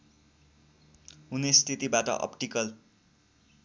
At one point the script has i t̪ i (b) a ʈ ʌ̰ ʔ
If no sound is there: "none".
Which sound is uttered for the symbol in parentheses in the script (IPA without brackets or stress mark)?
b